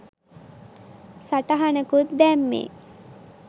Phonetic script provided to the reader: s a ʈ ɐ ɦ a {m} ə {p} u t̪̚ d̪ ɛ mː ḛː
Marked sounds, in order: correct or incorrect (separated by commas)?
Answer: incorrect, incorrect